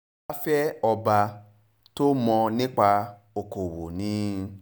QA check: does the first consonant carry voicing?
no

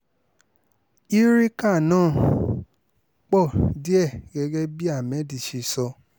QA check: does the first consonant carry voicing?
yes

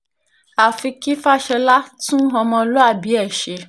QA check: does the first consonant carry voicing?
no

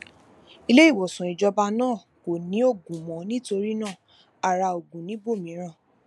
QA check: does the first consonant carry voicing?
yes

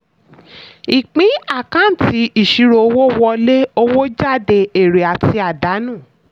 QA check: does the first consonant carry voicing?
no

